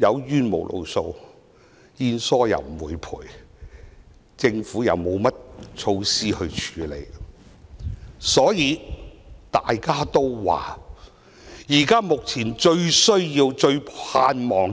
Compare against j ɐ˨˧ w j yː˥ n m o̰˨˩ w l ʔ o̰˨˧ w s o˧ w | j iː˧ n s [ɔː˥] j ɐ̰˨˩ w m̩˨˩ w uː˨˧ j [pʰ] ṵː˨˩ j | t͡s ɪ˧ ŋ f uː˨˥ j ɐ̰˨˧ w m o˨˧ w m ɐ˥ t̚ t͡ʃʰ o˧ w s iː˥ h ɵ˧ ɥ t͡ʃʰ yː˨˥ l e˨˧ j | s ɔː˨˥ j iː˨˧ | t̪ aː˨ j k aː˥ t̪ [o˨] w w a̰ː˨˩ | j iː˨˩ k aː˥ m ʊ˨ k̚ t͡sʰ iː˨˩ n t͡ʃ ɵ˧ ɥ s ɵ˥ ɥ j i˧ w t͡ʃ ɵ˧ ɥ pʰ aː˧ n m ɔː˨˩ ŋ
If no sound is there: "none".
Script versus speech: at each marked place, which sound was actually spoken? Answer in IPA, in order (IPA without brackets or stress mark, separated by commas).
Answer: ɔː˥, pʰ, o˥